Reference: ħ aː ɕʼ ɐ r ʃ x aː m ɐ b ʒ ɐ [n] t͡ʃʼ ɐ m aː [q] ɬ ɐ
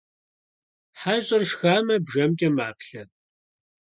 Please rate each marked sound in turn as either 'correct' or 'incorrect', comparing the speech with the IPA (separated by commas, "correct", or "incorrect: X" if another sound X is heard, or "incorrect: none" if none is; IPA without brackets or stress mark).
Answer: incorrect: m, incorrect: p